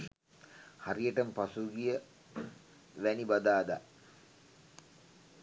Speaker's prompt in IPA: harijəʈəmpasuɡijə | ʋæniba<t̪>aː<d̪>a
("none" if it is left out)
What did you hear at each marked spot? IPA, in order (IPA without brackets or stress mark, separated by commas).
d̪, d̪